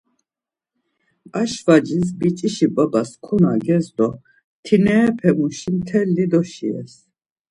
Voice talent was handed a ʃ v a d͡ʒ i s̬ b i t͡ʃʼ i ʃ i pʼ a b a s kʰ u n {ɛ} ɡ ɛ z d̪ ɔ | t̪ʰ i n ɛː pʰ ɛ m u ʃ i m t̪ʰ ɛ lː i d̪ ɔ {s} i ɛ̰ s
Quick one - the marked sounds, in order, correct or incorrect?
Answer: incorrect: a, incorrect: ʃ

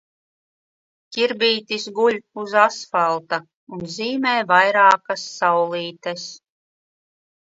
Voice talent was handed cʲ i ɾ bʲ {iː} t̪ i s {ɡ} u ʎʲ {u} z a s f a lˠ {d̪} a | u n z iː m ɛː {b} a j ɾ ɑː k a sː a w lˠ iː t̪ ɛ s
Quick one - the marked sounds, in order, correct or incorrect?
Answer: correct, correct, correct, incorrect: t̪, incorrect: v

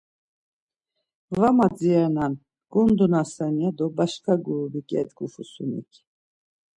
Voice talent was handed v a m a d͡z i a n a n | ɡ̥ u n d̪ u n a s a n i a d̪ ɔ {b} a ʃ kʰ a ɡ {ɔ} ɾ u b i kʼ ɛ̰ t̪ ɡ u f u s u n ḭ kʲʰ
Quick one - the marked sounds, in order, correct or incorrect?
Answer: correct, incorrect: u

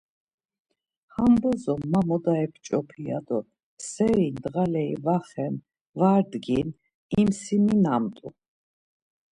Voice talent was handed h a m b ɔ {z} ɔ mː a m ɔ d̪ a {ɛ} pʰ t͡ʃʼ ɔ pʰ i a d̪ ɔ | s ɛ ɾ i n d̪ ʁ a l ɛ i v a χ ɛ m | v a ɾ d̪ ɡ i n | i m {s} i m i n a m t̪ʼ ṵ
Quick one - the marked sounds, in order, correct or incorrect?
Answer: correct, correct, correct

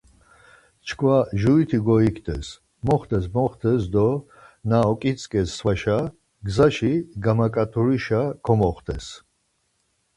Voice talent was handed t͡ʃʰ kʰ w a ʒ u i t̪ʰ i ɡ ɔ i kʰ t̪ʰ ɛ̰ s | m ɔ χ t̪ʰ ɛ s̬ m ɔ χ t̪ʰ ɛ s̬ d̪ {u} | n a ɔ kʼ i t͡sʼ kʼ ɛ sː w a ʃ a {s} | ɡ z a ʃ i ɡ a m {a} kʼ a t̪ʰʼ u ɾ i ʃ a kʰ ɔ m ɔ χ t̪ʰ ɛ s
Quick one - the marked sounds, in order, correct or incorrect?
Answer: incorrect: ɔ, incorrect: none, correct

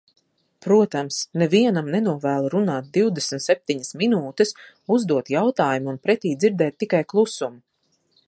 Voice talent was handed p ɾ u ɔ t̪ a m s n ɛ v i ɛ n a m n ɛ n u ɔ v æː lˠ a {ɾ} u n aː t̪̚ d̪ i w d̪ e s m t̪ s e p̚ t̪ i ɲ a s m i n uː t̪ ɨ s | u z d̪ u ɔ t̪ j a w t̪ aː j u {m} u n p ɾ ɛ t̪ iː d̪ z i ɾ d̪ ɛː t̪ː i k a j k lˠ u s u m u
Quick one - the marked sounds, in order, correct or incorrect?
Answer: correct, correct

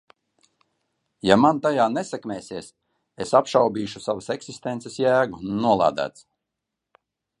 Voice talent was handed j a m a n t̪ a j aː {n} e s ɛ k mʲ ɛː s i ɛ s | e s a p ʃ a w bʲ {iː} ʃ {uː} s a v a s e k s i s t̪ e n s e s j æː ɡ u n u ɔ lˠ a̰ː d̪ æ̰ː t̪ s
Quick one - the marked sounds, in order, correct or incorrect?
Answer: correct, correct, incorrect: u

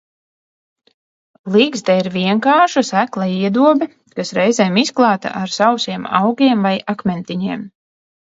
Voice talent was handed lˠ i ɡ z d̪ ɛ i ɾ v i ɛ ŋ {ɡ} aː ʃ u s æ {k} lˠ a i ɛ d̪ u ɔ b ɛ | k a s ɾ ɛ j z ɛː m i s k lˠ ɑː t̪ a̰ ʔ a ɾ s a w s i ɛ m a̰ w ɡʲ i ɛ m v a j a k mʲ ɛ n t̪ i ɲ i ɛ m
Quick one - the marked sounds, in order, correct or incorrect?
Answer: incorrect: k, correct

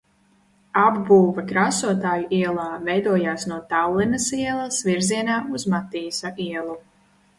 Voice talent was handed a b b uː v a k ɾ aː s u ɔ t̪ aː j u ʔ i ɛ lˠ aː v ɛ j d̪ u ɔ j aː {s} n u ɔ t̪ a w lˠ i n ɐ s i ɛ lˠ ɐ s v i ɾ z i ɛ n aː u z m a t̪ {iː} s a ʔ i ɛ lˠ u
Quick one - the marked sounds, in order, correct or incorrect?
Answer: correct, correct

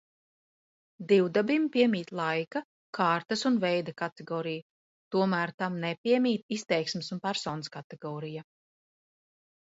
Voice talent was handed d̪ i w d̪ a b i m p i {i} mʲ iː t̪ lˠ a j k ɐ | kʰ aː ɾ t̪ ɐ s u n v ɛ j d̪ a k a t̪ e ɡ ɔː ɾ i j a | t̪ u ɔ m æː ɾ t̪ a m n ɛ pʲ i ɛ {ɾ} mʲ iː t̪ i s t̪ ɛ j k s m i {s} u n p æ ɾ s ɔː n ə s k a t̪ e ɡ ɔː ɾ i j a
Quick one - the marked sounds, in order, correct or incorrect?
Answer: incorrect: ɛ, incorrect: none, correct

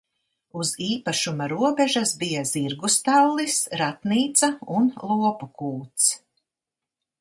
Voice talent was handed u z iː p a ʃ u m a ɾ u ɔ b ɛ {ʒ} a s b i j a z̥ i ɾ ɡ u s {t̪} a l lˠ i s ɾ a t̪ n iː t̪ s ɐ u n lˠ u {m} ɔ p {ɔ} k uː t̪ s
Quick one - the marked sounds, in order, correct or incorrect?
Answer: correct, correct, incorrect: none, incorrect: u

